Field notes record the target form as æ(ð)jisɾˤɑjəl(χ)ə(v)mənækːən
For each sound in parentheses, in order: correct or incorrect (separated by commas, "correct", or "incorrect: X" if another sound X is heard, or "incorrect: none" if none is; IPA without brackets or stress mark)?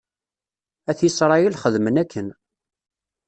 incorrect: θ, correct, incorrect: ð